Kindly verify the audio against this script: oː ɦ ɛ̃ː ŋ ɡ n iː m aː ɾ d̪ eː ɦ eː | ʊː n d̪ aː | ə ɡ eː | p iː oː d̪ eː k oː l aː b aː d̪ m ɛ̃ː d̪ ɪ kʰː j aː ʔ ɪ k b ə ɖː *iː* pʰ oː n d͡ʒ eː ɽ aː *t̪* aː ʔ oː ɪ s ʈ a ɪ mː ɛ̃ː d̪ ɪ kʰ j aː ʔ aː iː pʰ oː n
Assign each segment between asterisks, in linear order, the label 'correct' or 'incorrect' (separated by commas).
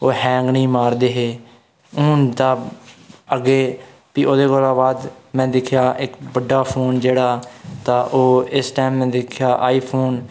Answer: incorrect, correct